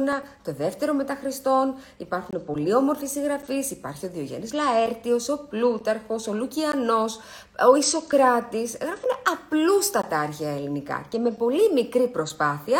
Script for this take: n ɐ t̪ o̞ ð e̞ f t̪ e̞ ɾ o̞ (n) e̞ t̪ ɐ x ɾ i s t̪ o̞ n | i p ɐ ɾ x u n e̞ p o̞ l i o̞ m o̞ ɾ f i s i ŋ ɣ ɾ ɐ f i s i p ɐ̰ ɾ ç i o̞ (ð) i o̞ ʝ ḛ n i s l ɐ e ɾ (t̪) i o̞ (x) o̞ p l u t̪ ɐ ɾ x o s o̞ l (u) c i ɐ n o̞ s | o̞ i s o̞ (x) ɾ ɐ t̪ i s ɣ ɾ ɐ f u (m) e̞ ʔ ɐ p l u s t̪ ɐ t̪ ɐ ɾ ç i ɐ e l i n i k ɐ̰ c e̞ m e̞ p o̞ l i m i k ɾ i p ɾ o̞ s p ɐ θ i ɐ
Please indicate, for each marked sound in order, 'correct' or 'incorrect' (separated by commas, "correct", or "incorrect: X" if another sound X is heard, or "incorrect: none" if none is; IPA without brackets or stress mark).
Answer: incorrect: m, correct, correct, incorrect: s, correct, incorrect: k, incorrect: n